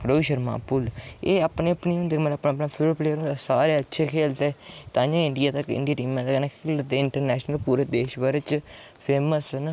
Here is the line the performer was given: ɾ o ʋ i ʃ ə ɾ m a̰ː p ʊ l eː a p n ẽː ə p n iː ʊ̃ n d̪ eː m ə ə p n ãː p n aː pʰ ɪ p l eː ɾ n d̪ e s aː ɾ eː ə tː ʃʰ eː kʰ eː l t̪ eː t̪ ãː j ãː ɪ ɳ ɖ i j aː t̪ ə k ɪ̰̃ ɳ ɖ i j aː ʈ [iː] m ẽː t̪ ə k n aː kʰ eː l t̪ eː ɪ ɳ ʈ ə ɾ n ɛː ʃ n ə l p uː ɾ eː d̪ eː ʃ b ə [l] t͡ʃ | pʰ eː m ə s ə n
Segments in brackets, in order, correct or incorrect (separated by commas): correct, incorrect